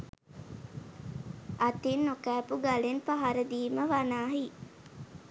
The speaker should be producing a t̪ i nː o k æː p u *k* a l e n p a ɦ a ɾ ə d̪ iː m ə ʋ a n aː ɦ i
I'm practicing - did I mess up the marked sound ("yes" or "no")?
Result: yes